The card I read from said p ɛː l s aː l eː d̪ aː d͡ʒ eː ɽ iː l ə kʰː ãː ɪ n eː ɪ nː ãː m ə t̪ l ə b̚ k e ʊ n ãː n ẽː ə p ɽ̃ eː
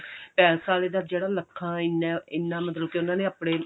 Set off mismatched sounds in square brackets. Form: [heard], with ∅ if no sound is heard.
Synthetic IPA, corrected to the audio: p ɛː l s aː l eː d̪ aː d͡ʒ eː ɽ [aː] l ə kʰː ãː ɪ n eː ɪ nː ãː m ə t̪ l ə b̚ k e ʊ n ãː n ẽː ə p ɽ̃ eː